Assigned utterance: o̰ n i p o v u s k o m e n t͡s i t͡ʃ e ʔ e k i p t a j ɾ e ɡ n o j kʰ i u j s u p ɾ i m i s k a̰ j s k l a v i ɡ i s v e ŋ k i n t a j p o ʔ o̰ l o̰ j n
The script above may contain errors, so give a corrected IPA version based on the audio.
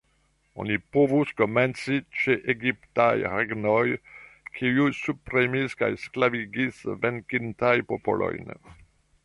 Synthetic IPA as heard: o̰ n i p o v u s k o m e n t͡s i t͡ʃ e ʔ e ɡ i p t a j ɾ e ɡ n o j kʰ i u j s u p ɾ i m i s k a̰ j s k l a v i ɡ i s v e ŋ k i n t a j p o p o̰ l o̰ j n